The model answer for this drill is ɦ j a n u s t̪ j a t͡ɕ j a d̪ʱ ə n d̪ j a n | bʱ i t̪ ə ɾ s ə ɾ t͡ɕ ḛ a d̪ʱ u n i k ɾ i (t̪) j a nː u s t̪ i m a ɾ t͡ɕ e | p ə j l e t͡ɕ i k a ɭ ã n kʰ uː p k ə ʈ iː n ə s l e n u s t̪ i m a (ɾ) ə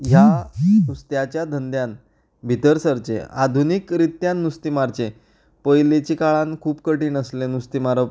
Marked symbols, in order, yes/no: yes, yes

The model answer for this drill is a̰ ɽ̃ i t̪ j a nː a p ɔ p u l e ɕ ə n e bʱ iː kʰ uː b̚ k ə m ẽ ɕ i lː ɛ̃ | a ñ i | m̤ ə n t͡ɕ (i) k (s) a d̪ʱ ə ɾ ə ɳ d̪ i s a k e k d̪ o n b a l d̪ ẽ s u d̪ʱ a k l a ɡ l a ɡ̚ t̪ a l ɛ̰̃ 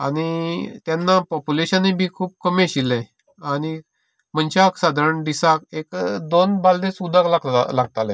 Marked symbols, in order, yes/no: no, yes

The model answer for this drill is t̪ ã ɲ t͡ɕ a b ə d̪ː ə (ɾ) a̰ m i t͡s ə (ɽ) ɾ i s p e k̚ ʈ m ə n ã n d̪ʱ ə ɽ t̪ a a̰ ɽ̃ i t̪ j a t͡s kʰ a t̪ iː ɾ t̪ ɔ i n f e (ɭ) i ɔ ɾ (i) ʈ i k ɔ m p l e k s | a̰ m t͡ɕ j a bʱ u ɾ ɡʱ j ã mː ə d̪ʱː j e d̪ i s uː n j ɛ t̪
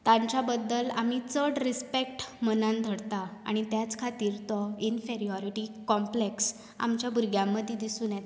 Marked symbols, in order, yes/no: no, yes, no, yes

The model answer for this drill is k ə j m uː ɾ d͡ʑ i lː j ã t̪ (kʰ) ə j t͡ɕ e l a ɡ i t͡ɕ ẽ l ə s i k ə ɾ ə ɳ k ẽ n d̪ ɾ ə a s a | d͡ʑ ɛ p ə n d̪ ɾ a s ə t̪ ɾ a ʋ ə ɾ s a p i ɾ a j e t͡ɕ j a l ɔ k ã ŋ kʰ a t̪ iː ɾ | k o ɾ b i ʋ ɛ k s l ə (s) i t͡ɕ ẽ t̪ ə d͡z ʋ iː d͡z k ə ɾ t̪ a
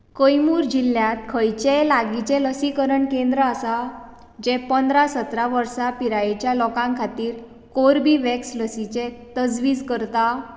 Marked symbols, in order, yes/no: yes, yes

